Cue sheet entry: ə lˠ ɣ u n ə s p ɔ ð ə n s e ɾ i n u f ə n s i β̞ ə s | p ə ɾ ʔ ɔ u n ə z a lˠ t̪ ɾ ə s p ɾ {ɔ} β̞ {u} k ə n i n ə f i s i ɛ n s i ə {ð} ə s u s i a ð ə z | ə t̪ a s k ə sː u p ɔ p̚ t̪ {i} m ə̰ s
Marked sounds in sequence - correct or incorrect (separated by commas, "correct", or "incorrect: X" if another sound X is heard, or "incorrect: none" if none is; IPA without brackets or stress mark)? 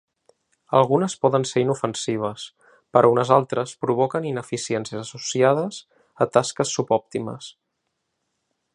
incorrect: u, incorrect: ɔ, incorrect: z, correct